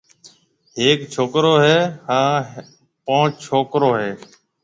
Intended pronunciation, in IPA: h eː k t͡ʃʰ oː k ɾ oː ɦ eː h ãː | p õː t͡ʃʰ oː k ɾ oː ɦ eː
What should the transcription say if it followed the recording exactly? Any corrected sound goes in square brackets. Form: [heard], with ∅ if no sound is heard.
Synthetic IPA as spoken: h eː k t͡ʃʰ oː k ɾ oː ɦ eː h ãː | p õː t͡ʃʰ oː k ɾ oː ɦ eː

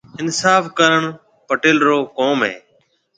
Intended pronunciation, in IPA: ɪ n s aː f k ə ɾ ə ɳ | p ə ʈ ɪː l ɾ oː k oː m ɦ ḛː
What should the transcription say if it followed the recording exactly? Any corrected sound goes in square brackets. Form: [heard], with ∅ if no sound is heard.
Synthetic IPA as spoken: ɪ n s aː f k ə ɾ ə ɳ | p ə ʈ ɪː l ɾ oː k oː m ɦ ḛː

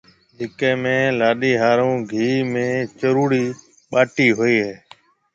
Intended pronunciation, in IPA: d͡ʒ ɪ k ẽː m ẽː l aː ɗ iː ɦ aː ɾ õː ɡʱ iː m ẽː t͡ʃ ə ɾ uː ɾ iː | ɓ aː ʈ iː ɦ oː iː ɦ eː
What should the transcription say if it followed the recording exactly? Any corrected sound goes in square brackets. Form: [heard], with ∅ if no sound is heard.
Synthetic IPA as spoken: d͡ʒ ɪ k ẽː m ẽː l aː ɗ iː ɦ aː ɾ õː ɡʱ iː m ẽː t͡ʃ ə ɾ uː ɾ iː | ɓ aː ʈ iː ɦ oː iː ɦ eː

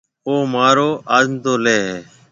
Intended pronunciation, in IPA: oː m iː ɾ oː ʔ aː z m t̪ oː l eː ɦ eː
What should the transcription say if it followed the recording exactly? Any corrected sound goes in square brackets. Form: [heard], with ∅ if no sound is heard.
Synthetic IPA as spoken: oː m [aː] ɾ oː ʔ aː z m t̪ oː l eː ɦ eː

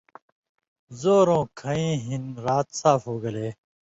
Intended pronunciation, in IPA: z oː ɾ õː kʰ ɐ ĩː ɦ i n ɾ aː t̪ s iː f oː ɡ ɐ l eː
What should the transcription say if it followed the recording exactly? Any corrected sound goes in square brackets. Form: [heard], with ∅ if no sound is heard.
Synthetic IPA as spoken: z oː ɾ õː kʰ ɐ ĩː ɦ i n ɾ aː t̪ s [aː] f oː ɡ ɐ l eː

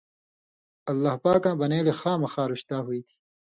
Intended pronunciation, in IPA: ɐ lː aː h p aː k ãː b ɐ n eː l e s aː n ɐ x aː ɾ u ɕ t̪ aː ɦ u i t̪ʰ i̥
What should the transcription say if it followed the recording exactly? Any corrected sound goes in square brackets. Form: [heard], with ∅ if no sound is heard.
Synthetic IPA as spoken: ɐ lː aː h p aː k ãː b ɐ n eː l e [x] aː [m] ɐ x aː ɾ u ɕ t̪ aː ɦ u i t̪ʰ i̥

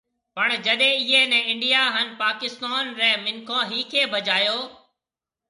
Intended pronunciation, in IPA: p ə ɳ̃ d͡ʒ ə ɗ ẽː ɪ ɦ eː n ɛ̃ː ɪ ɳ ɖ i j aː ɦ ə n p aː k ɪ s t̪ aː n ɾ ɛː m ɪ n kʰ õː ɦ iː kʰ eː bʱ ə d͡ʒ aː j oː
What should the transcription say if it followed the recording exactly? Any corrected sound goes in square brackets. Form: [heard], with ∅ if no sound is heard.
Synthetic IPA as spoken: p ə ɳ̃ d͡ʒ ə ɗ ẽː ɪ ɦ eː n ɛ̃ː ɪ ɳ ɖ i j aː ɦ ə n p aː k ɪ s t̪ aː n ɾ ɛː m ɪ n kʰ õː ɦ iː kʰ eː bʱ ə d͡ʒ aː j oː

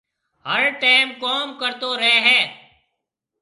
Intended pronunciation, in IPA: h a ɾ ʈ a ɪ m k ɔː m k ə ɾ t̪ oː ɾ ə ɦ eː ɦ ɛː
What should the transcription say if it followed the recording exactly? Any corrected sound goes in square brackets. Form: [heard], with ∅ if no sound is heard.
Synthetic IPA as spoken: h [ə] ɾ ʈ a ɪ m k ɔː m k ə ɾ t̪ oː ɾ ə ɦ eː ɦ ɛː

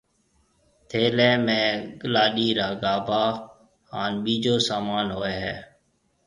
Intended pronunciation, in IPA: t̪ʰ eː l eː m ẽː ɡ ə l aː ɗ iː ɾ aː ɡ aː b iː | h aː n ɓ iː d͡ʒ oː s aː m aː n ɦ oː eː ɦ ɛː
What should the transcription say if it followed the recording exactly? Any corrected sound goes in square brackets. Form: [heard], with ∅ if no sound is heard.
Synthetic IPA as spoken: t̪ʰ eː l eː m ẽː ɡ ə l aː ɗ iː ɾ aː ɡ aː b [aː] | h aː n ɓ iː d͡ʒ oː s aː m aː n ɦ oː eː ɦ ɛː

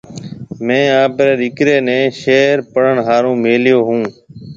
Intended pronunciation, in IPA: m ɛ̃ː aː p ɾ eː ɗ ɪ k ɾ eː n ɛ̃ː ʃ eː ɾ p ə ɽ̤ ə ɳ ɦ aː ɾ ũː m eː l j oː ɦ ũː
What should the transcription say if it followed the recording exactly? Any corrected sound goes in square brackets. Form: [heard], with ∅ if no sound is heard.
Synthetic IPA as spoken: m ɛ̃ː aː p ɾ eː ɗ ɪ k ɾ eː n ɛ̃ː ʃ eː ɾ p ə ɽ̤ ə ɳ ɦ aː ɾ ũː m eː l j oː ɦ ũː

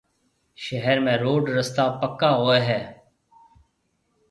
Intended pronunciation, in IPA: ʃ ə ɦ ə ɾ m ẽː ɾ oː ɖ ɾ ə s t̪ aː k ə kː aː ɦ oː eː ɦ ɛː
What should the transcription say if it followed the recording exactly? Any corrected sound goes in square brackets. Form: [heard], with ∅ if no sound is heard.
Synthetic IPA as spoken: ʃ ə ɦ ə ɾ m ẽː ɾ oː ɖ ɾ ə s t̪ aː [p] ə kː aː ɦ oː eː ɦ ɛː

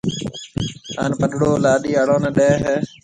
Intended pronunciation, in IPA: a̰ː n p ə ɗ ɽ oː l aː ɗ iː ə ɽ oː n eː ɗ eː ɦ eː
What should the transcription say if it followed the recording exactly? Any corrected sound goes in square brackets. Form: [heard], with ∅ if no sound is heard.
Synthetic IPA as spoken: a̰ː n p ə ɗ ɽ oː l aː ɗ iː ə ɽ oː n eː ɗ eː ɦ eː

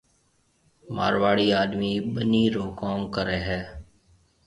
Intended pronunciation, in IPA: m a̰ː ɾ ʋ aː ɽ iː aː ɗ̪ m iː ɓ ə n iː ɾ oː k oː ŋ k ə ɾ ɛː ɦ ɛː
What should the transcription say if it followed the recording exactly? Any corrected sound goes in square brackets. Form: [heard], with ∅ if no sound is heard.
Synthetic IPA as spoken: m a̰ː ɾ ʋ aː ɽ iː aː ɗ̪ m iː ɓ ə n iː ɾ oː k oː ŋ k ə ɾ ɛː ɦ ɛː

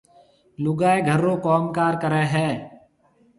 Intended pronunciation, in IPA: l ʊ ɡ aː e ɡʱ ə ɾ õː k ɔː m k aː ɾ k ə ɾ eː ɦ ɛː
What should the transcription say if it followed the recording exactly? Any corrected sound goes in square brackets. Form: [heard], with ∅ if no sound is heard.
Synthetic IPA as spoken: l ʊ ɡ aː e ɡʱ ə ɾ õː k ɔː m k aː ɾ k ə ɾ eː ɦ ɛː

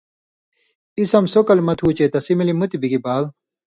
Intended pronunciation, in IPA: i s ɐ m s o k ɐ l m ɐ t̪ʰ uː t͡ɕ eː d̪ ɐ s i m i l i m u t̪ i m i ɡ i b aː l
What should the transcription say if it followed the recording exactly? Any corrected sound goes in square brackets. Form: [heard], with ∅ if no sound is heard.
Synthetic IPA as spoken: i s ɐ m s o k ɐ l m ɐ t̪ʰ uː t͡ɕ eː [t̪] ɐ s i m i l i m u t̪ i [b] i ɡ i b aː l

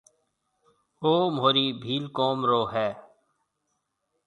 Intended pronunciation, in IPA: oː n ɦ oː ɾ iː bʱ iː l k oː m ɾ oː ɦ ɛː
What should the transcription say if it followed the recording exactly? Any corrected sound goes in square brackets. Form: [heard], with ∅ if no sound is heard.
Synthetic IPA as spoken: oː [m] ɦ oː ɾ iː bʱ iː l k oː m ɾ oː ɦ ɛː

